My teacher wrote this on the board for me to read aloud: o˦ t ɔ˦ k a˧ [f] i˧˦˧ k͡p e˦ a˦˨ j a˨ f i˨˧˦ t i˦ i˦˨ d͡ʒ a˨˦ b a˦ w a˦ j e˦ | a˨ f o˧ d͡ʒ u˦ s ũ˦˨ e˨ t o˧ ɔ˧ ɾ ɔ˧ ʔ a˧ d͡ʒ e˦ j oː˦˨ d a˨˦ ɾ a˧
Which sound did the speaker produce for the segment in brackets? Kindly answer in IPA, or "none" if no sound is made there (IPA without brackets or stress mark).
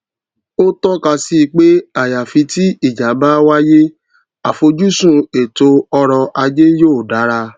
s